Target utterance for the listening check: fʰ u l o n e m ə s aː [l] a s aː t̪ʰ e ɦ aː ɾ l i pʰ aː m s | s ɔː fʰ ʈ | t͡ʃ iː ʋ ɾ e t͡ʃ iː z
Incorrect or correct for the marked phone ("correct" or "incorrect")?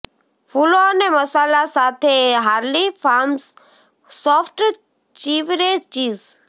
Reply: correct